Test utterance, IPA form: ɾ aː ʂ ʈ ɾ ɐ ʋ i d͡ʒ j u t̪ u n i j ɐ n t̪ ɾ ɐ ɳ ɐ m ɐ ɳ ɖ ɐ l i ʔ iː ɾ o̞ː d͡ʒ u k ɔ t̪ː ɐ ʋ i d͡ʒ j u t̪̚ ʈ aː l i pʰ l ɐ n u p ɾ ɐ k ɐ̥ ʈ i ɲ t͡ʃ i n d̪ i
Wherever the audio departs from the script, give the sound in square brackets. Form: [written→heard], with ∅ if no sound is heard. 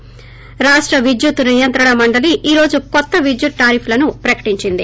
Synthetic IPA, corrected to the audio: ɾ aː ʂ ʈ ɾ ɐ ʋ i d͡ʒ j u t̪ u n i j ɐ n t̪ ɾ ɐ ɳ ɐ m ɐ ɳ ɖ ɐ l i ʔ iː ɾ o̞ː d͡ʒ u k ɔ t̪ː ɐ ʋ i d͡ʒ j u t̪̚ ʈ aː [l→ɾ] i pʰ l ɐ n u p ɾ ɐ k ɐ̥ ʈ i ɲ t͡ʃ i n d̪ i